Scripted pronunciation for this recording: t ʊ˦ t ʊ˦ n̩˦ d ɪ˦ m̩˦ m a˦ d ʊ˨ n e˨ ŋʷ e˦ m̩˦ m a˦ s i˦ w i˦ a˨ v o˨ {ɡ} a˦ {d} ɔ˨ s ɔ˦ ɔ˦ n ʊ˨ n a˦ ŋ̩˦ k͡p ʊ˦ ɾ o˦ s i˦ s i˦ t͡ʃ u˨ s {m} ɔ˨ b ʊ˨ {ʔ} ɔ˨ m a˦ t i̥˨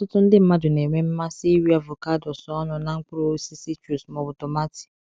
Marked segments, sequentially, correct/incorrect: incorrect: k, correct, correct, incorrect: t

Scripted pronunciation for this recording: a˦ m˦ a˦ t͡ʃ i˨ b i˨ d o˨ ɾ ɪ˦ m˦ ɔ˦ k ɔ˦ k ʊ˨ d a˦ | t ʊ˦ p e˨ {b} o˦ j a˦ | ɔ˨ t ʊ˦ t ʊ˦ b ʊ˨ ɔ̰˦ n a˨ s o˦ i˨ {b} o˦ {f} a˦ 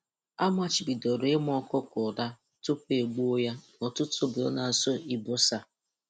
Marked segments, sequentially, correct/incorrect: incorrect: ɡ͡b, correct, incorrect: s

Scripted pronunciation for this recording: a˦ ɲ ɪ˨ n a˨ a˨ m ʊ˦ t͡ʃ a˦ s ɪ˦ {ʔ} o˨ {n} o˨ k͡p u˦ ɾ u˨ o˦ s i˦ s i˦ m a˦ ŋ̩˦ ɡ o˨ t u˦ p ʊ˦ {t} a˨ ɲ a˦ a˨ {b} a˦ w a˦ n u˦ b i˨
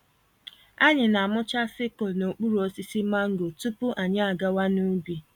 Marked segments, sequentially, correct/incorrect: incorrect: k, correct, incorrect: ʔ, incorrect: ɡ

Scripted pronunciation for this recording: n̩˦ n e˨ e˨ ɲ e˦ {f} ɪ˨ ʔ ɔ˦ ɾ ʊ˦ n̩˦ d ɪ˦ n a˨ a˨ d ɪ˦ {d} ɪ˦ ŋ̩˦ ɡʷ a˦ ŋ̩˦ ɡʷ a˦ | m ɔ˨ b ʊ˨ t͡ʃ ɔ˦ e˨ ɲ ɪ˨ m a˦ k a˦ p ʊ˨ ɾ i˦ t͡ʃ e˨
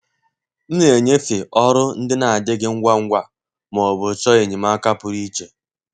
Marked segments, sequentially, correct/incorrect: correct, incorrect: ɡ

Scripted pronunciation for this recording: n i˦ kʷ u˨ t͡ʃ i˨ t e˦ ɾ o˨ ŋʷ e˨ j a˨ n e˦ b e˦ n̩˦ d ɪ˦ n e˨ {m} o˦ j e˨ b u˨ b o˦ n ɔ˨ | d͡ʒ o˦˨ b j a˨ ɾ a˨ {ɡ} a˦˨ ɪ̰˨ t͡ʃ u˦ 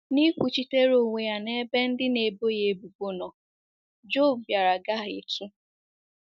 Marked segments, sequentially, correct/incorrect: incorrect: b, correct

